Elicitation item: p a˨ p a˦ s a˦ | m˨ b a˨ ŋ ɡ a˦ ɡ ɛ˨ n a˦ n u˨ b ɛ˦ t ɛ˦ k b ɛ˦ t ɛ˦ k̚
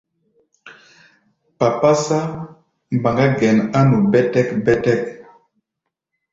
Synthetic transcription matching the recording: p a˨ p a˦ s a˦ | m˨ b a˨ ŋ ɡ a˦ ɡ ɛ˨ n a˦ n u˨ b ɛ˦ t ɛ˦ k b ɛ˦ t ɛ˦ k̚